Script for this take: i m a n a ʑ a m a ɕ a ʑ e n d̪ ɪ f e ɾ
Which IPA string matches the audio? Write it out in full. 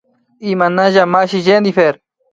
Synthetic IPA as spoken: i m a n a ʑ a m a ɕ i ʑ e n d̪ i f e ɾ